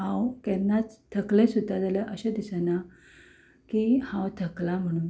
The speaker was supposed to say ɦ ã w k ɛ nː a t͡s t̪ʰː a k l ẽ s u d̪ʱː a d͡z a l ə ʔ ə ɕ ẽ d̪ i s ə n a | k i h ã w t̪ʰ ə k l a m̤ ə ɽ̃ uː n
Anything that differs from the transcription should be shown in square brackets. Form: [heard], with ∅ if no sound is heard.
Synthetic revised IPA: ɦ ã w k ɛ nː a t͡s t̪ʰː [ə] k l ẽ s u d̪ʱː a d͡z a l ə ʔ ə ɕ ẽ d̪ i s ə n a | k i h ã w t̪ʰ ə k l a m̤ ə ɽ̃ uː n